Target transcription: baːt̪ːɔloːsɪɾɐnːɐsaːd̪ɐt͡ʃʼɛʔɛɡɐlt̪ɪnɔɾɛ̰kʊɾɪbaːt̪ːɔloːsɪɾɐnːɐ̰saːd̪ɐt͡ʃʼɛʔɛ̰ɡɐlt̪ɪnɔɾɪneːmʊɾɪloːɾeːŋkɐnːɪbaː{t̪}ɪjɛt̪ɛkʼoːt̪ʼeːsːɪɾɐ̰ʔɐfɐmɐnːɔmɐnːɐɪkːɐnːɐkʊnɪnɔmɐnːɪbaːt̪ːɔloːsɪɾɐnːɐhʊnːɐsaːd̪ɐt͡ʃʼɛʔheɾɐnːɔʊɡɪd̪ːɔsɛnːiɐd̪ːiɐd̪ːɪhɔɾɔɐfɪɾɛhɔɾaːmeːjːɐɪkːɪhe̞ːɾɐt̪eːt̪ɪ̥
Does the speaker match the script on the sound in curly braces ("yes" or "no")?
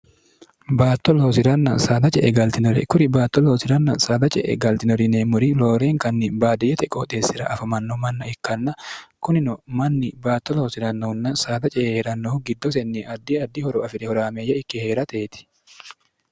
no